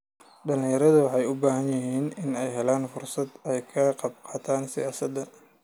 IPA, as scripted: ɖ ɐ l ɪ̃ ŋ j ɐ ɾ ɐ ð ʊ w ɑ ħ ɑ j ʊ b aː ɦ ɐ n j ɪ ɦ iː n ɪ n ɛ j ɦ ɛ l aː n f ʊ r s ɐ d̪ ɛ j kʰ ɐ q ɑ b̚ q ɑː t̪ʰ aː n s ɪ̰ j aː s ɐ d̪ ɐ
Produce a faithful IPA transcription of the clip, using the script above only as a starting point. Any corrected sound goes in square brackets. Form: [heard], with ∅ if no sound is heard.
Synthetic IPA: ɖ ɐ l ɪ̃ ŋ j ɐ ɾ ɐ ð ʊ w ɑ ħ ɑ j ʊ b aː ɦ ɐ n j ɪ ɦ iː n ɪ n ɛ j ɦ ɛ l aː n f ʊ r s ɐ d̪ ɛ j kʰ ɐ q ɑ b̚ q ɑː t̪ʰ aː n s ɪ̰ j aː s ɐ d̪ ɐ

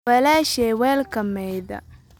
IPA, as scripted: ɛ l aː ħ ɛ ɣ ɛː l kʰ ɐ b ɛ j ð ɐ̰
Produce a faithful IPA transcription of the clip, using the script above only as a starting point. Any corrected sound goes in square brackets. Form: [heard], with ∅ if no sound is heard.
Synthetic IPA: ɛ l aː [ʃ] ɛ [w] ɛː l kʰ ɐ [m] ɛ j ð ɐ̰

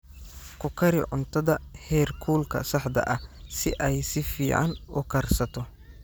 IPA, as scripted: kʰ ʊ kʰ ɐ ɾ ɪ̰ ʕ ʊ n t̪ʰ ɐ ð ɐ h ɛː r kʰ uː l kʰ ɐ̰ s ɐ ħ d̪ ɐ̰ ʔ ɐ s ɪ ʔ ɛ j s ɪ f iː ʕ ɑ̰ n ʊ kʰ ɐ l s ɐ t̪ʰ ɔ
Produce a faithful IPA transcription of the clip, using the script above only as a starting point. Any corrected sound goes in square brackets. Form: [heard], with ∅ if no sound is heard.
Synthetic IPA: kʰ ʊ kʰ ɐ ɾ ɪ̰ ʕ ʊ n t̪ʰ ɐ ð ɐ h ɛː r kʰ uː l kʰ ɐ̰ s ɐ ħ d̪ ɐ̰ ʔ ɐ s ɪ ʔ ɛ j s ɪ f iː ʕ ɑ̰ n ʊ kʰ ɐ [r] s ɐ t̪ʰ ɔ

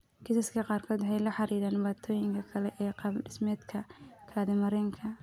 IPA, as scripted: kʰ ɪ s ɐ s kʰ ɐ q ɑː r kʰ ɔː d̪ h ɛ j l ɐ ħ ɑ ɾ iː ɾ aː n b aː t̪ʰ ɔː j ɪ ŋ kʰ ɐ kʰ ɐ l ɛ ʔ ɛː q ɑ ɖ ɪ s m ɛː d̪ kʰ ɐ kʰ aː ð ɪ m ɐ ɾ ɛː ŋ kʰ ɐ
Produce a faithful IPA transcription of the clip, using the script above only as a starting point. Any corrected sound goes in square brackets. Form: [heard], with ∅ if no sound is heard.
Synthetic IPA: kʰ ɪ s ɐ s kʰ ɐ q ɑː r kʰ ɔː d̪ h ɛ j l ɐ ħ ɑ ɾ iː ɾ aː n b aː t̪ʰ ɔː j ɪ ŋ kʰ ɐ kʰ ɐ l ɛ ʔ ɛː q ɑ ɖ ɪ s m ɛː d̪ kʰ ɐ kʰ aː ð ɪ m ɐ ɾ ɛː ŋ kʰ ɐ

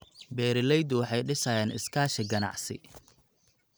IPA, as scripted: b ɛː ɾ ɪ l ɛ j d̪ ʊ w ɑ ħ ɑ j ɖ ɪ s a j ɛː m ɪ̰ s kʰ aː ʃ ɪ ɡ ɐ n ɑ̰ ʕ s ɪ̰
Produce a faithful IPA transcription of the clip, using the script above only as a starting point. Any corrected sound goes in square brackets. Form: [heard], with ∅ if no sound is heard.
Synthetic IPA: b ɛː ɾ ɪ l ɛ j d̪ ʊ w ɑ ħ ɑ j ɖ ɪ s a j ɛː [n] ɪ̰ s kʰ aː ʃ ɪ ɡ ɐ n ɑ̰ ʕ s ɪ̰

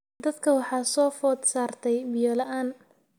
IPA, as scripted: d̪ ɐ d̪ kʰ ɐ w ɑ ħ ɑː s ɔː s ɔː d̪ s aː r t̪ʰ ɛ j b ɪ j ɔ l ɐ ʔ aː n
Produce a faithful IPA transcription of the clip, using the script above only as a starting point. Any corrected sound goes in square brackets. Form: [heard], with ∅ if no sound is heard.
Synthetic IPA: d̪ ɐ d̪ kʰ ɐ w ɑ ħ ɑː s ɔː [f] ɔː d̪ s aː r t̪ʰ ɛ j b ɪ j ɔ l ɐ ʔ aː n

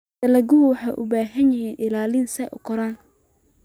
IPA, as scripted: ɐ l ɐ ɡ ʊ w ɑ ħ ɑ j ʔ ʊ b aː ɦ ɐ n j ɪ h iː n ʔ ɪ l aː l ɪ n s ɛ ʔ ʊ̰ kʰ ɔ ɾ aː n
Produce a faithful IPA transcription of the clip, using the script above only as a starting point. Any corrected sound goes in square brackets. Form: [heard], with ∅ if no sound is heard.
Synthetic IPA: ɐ l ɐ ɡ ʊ w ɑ ħ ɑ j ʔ ʊ b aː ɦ ɐ n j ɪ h iː n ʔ ɪ l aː l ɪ n s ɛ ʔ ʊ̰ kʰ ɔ ɾ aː n

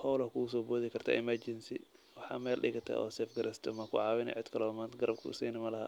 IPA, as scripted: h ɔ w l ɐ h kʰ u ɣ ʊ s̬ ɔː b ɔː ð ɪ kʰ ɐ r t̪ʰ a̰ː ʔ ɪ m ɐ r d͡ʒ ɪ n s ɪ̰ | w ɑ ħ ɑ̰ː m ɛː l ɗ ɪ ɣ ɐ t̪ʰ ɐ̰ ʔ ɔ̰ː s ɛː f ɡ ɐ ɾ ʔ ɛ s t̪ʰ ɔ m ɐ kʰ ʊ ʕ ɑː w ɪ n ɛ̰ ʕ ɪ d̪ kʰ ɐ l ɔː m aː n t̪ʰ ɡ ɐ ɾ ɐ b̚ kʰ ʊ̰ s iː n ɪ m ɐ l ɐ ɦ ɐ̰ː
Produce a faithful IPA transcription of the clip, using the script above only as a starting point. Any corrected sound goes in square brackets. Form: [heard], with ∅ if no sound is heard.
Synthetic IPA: h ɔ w l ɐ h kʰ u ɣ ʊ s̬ ɔː b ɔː ð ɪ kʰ ɐ r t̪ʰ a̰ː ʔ ɪ m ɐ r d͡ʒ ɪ n s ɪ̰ | w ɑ ħ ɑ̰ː m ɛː l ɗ ɪ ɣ ɐ t̪ʰ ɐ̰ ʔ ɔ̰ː s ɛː f ɡ ɐ ɾ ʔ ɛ s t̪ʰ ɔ m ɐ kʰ ʊ ʕ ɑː w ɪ n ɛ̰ ʕ ɪ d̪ kʰ ɐ l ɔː m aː n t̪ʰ ɡ ɐ ɾ ɐ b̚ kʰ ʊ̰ s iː n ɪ m ɐ l ɐ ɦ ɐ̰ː

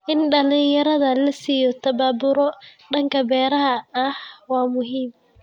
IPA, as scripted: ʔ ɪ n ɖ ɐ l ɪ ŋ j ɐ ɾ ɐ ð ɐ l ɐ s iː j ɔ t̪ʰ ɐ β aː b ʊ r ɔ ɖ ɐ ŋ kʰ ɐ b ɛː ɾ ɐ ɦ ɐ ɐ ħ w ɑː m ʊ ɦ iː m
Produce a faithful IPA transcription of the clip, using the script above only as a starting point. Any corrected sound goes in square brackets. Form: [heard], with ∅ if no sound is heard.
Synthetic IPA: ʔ ɪ n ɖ ɐ l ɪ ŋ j ɐ ɾ ɐ ð ɐ l ɐ s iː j ɔ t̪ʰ ɐ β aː b ʊ [ɾ] ɔ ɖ ɐ ŋ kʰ ɐ b ɛː ɾ ɐ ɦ ɐ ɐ [h] w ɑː m ʊ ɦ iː m

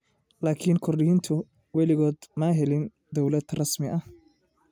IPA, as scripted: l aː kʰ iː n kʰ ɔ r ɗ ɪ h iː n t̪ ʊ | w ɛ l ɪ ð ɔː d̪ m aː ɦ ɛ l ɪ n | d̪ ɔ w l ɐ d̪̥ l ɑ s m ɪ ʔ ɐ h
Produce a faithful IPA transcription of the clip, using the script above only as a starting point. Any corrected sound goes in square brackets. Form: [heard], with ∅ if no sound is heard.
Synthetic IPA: l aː kʰ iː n kʰ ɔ r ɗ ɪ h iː n [t̪ʰ] ʊ | w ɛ l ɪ [ɣ] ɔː d̪ m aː ɦ ɛ l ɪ n | d̪ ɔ w l ɐ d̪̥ [r] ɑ s m ɪ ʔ ɐ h

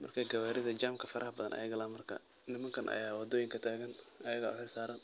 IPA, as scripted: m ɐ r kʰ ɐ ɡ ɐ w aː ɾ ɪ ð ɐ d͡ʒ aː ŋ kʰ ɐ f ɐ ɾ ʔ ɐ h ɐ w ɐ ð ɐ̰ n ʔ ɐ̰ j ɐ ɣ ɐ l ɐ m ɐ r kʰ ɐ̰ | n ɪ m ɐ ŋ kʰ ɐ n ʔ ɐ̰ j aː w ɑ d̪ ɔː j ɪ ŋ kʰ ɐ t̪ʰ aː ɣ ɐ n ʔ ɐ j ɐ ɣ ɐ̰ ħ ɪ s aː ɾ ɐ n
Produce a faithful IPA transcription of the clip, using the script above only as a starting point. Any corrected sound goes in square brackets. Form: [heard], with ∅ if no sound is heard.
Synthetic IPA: m ɐ r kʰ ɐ ɡ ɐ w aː ɾ ɪ ð ɐ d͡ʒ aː [m] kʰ ɐ f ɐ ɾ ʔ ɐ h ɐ [b] ɐ ð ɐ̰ n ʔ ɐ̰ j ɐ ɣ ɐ l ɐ m ɐ r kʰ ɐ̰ | n ɪ m ɐ ŋ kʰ ɐ n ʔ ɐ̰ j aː w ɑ d̪ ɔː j ɪ ŋ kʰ ɐ t̪ʰ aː ɣ ɐ n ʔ ɐ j ɐ ɣ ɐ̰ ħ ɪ s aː ɾ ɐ n

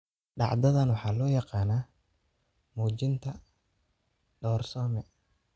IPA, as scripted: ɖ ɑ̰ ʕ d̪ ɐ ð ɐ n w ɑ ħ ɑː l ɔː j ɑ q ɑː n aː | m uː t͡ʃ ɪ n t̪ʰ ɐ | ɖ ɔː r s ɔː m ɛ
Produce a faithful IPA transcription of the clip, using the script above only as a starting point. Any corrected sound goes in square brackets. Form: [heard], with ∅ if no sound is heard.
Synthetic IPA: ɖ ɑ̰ ʕ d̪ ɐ ð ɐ n w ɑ ħ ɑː l ɔː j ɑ q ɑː n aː | m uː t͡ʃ ɪ n t̪ʰ ɐ | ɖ ɔː r s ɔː m ɛ

